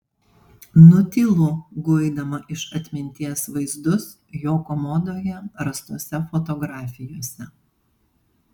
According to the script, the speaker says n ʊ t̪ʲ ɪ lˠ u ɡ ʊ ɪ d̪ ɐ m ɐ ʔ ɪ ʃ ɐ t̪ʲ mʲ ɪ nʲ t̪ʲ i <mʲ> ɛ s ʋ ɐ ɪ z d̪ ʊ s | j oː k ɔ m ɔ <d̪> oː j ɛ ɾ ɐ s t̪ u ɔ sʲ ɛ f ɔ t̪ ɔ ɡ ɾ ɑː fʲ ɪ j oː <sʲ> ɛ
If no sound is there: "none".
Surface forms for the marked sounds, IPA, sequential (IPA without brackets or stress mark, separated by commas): none, d̪, sʲ